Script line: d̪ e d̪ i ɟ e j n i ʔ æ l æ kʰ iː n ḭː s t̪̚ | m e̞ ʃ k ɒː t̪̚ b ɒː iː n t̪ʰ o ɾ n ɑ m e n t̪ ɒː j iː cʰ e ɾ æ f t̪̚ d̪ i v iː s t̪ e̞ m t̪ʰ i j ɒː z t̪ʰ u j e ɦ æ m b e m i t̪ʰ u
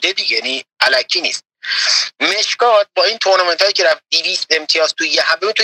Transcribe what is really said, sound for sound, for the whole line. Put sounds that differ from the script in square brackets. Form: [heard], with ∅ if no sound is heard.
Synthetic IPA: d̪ e d̪ i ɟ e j n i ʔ æ l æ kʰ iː n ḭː s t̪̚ | m e̞ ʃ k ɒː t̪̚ b ɒː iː n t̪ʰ o ɾ n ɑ m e n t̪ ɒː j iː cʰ e ɾ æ f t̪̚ d̪ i v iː s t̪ e̞ m t̪ʰ i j ɒː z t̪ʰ u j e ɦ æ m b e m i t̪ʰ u